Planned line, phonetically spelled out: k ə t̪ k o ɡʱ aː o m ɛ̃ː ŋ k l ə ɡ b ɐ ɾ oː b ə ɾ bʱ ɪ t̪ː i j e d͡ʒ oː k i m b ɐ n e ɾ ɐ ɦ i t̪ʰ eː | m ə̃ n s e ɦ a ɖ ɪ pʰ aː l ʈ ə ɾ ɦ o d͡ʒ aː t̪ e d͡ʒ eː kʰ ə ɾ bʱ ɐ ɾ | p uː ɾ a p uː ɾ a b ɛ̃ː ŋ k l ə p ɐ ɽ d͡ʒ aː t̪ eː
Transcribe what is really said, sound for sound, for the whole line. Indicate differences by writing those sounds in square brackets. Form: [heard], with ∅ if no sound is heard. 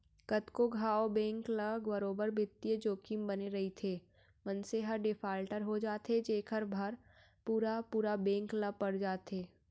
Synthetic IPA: k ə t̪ k o ɡʱ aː o [b] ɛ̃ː ŋ k l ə ɡ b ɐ ɾ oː b ə ɾ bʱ ɪ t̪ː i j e d͡ʒ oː k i m b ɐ n e ɾ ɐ ɦ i t̪ʰ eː | m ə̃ n s e ɦ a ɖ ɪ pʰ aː l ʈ ə ɾ ɦ o d͡ʒ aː t̪ e d͡ʒ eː kʰ ə ɾ bʱ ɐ ɾ | p uː ɾ a p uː ɾ a b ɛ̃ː ŋ k l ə p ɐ ɽ d͡ʒ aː t̪ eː